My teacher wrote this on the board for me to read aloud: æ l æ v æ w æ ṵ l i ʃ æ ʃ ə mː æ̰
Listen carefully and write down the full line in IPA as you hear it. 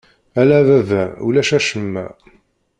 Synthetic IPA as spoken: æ l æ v æ v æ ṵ l æ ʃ æ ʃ ə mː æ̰